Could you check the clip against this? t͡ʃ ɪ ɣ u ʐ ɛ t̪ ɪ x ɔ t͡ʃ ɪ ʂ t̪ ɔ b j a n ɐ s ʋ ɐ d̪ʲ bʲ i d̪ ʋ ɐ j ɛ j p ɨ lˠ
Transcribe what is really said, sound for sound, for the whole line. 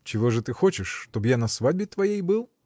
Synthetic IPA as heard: t͡ʃ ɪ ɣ ɔ ʐ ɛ t̪ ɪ x ɔ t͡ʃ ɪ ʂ t̪ ɔ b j a n ɐ s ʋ a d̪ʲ bʲ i t̪ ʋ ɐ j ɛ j b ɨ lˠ